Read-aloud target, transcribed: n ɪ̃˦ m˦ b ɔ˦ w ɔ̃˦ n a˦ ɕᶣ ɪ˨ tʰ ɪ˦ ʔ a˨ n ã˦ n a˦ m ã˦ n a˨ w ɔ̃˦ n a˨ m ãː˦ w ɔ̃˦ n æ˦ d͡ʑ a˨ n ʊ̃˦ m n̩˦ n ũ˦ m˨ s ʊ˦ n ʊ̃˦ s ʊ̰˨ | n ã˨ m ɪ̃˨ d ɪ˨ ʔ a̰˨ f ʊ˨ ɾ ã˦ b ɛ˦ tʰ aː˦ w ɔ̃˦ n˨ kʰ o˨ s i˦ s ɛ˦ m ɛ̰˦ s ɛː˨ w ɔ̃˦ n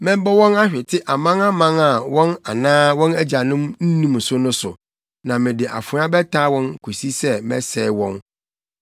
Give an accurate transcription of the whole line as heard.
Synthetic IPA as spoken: m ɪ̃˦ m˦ b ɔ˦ w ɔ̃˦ n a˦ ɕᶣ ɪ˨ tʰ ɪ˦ ʔ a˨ m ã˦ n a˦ m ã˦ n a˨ w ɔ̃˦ n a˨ n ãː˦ w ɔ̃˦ n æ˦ d͡ʑ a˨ n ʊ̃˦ m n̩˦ n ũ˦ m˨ s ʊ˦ n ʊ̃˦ s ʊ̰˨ | n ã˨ m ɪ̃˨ d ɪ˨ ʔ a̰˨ f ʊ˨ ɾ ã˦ b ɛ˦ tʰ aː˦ w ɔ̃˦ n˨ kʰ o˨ s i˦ s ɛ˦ m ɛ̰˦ s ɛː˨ w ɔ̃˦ n

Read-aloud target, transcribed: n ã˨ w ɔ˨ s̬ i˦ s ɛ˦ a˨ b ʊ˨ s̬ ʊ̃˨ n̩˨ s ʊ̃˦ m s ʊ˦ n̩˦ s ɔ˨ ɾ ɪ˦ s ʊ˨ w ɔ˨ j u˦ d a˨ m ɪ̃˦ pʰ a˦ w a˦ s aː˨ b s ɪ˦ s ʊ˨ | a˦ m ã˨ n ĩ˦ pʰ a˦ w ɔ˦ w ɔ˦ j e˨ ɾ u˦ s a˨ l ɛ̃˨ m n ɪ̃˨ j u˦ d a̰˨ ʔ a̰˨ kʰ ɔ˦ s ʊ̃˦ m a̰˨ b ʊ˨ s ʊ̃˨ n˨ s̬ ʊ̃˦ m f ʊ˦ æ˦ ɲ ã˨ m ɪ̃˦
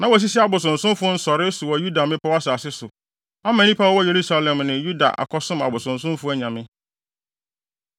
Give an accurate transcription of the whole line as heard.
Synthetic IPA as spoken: n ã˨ w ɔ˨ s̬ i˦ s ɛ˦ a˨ b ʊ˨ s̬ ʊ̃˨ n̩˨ s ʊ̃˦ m f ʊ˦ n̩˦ s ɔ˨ ɾ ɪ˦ s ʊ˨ w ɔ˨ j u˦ d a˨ m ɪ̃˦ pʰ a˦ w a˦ s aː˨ s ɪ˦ s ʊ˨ | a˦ m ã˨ n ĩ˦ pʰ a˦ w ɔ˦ w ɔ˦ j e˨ ɾ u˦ s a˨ l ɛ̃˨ m n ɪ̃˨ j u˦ d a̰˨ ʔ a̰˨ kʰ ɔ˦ s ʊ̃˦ m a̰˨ b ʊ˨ s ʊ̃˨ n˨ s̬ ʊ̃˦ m f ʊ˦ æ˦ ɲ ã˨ m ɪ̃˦

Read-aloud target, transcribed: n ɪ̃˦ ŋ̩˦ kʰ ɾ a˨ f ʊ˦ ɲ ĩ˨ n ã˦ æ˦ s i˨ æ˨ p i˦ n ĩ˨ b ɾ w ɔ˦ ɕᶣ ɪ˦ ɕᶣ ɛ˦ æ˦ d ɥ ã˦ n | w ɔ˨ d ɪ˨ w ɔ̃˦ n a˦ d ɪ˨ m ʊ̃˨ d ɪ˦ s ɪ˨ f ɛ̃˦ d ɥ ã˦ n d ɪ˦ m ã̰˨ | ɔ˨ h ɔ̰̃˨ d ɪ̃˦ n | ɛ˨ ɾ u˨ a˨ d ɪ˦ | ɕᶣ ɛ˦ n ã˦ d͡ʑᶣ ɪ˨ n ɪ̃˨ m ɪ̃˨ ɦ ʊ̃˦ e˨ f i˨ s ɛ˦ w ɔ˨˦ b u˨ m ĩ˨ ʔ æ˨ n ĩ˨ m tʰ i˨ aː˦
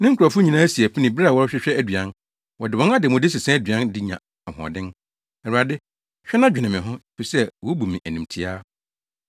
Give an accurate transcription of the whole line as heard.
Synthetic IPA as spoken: n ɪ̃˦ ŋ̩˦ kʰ ɾ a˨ f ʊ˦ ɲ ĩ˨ n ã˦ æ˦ s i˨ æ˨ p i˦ n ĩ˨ b ɾ w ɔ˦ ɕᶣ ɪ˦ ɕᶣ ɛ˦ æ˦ d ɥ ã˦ n | w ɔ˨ d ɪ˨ w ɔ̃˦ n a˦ d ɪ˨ m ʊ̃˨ d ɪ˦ s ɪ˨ s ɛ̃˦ d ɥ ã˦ n d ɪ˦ ɲ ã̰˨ | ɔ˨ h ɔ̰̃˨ d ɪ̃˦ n | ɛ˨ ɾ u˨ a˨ d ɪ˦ | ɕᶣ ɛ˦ n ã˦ d͡ʑᶣ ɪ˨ n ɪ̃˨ m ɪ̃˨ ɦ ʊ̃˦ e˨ f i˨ s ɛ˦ w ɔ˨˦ b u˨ m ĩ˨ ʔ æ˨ n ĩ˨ m tʰ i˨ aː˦

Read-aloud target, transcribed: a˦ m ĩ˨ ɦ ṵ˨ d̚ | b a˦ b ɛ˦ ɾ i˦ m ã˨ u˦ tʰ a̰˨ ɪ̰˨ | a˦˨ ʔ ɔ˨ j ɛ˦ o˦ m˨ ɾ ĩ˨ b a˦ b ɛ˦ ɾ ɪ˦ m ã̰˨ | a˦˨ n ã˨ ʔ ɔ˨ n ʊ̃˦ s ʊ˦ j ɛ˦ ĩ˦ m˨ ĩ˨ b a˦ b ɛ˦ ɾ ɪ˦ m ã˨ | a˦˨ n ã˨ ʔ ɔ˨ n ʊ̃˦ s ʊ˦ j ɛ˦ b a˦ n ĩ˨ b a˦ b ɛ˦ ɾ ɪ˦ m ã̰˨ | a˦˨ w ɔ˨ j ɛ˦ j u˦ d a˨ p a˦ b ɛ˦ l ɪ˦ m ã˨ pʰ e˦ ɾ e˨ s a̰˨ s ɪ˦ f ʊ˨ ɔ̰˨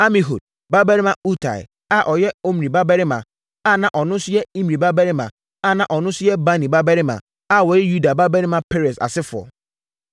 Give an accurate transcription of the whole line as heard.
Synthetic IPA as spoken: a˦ m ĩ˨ ɦ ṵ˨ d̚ | b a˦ b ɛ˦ ɾ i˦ m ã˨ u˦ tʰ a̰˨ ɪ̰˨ | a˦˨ ʔ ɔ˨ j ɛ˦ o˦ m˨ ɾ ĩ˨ b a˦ b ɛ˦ ɾ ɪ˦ m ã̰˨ | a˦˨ n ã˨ ʔ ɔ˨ n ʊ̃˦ s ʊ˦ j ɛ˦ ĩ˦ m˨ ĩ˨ b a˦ b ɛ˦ ɾ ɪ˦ m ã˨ | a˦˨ n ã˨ ʔ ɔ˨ n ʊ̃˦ s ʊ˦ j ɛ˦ b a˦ n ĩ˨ b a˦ b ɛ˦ ɾ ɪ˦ m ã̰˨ | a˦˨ w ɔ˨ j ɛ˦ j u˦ d a˨ b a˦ b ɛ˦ ɾ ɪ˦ m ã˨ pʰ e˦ ɾ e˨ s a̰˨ s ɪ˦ f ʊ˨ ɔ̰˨

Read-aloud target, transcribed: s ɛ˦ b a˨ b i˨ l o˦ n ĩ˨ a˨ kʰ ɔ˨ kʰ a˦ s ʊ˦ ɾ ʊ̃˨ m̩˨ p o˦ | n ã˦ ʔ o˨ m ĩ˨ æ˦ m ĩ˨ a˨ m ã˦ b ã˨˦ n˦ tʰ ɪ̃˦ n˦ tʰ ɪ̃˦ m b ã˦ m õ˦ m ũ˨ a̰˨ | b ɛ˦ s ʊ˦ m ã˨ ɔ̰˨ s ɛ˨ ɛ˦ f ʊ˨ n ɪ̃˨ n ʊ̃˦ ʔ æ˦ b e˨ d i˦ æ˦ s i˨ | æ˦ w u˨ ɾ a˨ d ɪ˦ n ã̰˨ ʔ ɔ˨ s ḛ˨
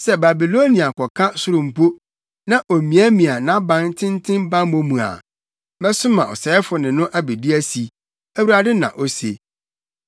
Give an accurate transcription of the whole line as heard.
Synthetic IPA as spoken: s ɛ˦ b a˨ b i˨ l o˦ n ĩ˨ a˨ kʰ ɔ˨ kʰ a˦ s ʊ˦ ɾ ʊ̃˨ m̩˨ p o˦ | n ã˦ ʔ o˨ m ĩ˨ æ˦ m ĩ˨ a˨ n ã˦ b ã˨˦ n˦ tʰ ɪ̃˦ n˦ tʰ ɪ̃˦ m b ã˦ m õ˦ m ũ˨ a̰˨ | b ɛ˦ s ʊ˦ m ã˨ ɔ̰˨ s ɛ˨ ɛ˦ f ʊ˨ n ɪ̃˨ n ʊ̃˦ ʔ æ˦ b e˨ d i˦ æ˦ s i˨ | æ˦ w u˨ ɾ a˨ d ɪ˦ n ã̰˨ ʔ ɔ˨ s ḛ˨

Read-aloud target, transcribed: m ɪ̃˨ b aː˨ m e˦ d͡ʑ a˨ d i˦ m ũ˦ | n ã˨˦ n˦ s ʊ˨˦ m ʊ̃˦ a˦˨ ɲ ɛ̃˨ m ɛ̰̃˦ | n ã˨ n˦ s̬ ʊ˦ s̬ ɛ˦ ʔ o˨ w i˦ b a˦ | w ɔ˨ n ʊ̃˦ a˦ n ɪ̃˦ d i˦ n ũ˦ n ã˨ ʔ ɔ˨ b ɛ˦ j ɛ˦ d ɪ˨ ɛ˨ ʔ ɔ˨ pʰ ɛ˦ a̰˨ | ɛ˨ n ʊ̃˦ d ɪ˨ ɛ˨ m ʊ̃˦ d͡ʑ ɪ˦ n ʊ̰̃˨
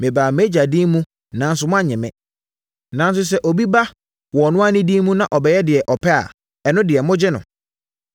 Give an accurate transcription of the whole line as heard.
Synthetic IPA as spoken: m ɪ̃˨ b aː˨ m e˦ d͡ʑ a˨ d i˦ m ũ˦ | n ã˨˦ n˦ s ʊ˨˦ m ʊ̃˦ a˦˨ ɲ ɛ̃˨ m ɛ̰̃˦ | n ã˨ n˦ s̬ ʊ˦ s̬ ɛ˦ ʔ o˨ b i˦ b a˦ | w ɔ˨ n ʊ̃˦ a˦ n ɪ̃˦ d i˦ m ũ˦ n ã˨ ʔ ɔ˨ b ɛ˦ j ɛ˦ d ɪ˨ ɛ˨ ʔ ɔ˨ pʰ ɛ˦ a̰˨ | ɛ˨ n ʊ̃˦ d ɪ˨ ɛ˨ m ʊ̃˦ d͡ʑ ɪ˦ n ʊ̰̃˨

